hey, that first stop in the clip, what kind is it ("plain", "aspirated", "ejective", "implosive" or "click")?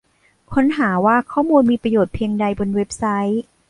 aspirated